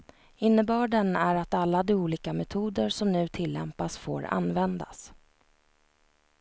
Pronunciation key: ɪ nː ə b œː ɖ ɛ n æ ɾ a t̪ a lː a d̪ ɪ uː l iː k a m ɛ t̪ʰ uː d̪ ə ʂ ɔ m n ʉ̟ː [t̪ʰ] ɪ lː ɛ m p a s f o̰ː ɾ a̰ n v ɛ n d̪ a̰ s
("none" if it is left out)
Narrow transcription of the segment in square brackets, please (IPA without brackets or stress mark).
t̪ʰ